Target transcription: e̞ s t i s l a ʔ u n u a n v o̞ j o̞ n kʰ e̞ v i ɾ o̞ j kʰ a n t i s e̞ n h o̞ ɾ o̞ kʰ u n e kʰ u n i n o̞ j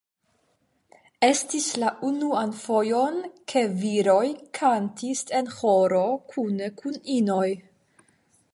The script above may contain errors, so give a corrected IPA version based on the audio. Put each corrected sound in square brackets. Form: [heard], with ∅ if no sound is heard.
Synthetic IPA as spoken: e̞ s t i s l a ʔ u n u a n [f] o̞ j o̞ n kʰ e̞ v i ɾ o̞ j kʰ a n t i s e̞ n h o̞ ɾ o̞ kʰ u n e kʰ u n i n o̞ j